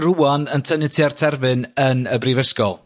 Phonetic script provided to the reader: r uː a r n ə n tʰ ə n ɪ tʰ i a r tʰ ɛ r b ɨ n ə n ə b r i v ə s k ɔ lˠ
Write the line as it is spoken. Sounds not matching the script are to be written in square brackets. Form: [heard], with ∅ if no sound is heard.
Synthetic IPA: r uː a [∅] n ə n tʰ ə n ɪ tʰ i a r tʰ ɛ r [v] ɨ n ə n ə b r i v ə s k ɔ lˠ